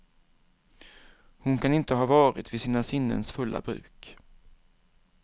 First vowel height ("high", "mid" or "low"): high